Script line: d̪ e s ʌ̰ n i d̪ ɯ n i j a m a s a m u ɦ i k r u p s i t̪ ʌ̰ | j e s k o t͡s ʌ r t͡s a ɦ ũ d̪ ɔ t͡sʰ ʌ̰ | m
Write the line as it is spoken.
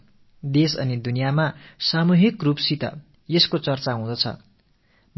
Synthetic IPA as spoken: d̪ e s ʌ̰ n i d̪ u n i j a m a s a m u ɦ i k r u p s i t̪ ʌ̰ | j e s k o t͡s ʌ r t͡s a ɦ ũ d̪ ʌ t͡sʰ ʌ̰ | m